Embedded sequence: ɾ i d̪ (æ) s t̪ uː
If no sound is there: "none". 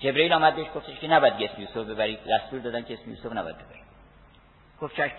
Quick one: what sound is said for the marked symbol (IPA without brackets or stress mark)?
æ